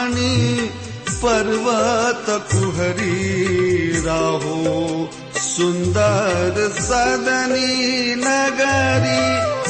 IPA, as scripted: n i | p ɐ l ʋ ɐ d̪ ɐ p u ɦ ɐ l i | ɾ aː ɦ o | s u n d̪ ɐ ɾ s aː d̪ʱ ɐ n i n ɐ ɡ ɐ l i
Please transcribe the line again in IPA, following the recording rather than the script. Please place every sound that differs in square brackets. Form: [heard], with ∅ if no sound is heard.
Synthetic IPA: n i | p ɐ [ɾ] ʋ ɐ [t̪] ɐ [k] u ɦ ɐ [ɾ] i | ɾ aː ɦ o | s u n d̪ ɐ ɾ s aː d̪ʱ ɐ n i n ɐ ɡ ɐ [ɾ] i